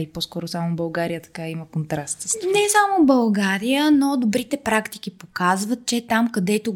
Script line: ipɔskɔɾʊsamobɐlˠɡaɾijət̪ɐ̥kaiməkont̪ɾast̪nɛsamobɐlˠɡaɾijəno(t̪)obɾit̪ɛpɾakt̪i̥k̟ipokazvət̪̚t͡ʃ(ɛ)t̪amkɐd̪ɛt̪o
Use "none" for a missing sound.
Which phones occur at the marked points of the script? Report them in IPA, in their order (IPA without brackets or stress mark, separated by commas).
d̪, ɛ